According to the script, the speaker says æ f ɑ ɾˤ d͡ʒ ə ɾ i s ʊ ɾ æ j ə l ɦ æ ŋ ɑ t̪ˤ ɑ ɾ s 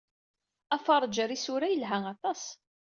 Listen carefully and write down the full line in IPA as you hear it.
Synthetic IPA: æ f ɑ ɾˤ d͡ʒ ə ɾ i s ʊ ɾ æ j ə l ɦ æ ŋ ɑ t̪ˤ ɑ s